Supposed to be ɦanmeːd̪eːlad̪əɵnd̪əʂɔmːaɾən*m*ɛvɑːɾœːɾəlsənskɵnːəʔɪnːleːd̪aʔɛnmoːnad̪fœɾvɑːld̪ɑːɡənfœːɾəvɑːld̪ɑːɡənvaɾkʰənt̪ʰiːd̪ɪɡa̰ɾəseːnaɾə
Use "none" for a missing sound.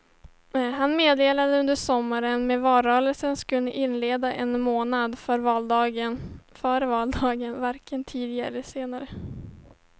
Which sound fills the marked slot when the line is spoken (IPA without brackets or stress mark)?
m